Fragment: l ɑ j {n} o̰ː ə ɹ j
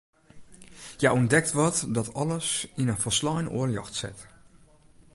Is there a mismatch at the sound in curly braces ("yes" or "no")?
no